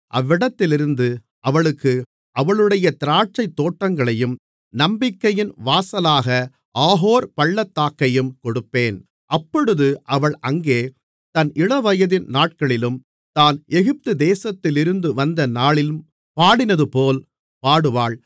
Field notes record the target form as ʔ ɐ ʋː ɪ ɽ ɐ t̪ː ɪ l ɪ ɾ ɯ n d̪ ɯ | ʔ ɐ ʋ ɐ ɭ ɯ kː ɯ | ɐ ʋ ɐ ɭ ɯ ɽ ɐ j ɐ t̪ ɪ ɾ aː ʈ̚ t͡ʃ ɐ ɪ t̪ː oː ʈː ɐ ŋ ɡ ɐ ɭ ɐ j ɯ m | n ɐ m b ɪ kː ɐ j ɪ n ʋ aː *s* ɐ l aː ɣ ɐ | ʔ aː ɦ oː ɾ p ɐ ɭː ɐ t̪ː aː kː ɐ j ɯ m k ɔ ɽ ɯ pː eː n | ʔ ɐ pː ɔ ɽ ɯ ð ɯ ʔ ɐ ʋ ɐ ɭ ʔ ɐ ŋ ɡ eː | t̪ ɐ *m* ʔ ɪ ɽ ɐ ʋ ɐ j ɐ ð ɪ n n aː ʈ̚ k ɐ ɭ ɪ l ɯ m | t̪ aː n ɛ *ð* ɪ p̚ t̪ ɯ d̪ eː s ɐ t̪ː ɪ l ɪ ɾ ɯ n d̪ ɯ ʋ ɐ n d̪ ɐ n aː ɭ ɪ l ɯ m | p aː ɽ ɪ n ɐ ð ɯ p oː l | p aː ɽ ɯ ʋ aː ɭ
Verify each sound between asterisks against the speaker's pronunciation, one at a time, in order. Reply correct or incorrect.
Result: correct, incorrect, incorrect

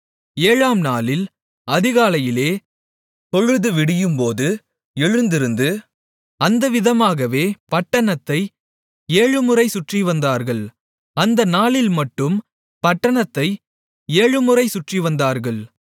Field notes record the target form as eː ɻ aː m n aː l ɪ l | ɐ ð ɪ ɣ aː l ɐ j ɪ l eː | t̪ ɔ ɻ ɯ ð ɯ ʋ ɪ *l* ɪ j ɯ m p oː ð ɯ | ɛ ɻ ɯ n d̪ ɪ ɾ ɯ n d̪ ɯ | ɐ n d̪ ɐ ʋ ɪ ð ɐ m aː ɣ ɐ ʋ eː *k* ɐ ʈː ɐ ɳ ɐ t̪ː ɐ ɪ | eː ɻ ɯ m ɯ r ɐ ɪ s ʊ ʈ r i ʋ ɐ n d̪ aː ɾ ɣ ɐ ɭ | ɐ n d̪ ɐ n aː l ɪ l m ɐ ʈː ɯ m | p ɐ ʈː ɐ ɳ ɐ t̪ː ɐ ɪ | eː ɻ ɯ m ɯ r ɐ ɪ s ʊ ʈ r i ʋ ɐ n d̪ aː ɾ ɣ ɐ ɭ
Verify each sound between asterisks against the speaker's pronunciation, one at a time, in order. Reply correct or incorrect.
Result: incorrect, incorrect

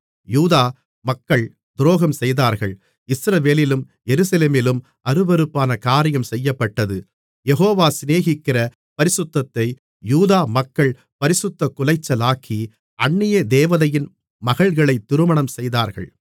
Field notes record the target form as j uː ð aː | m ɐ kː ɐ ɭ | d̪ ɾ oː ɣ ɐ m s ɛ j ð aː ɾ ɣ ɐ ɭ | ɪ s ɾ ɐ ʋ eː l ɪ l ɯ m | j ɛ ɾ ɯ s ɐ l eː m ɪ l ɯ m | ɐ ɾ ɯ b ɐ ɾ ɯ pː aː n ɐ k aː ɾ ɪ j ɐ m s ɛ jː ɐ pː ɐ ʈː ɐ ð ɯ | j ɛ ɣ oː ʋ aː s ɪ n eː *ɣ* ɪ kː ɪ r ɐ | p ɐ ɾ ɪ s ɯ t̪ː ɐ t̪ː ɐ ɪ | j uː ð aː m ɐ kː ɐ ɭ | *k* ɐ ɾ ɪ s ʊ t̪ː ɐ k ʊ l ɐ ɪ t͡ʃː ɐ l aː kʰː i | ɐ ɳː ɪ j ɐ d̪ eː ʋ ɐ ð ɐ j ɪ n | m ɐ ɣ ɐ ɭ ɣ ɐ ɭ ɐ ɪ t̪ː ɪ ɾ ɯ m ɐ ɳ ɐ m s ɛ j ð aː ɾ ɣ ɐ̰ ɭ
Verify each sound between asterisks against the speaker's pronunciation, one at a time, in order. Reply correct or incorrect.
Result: correct, incorrect

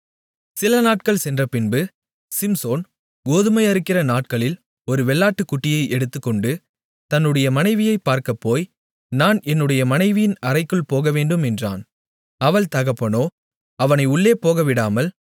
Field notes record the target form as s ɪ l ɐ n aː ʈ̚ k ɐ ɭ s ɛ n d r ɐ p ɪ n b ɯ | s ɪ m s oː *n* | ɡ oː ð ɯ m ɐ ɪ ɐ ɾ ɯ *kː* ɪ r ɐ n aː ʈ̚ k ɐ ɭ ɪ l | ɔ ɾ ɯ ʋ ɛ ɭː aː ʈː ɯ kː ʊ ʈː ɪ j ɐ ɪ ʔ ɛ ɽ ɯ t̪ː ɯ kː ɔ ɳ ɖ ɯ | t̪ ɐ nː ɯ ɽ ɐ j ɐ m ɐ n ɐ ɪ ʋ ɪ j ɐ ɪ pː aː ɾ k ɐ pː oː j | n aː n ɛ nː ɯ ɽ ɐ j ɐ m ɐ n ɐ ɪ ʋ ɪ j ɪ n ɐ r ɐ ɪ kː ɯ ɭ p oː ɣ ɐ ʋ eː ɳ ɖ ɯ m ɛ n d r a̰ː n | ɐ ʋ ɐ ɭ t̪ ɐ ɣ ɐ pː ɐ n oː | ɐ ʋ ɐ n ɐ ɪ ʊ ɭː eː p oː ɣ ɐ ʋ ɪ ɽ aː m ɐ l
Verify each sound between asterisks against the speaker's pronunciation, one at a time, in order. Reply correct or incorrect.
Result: correct, correct

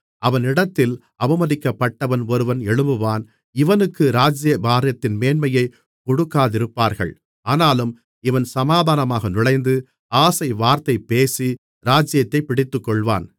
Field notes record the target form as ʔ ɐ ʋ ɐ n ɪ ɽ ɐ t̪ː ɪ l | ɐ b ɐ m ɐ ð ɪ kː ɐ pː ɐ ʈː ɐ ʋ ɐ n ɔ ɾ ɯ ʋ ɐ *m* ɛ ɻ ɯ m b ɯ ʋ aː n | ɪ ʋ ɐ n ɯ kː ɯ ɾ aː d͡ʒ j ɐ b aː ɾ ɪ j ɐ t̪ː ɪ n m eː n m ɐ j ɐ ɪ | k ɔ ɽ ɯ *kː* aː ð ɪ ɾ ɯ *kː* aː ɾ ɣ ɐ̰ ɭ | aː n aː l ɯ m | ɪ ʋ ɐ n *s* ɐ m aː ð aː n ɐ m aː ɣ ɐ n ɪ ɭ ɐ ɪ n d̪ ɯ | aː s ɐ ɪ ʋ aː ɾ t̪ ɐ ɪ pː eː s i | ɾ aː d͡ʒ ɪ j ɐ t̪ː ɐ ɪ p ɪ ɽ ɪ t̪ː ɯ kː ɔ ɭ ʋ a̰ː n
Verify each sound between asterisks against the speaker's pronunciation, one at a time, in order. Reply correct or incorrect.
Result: incorrect, correct, incorrect, correct

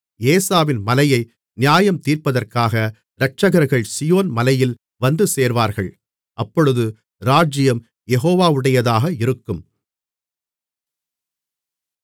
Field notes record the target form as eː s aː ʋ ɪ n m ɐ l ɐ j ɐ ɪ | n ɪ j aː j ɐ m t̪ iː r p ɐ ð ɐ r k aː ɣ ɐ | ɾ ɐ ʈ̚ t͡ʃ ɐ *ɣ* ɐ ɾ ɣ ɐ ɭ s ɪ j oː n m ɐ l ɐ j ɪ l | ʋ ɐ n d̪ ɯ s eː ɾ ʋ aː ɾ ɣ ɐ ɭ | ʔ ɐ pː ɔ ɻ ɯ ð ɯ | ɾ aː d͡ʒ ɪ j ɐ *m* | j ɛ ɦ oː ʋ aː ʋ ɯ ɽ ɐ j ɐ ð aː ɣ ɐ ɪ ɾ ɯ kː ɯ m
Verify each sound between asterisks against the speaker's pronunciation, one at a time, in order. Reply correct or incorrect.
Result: correct, correct

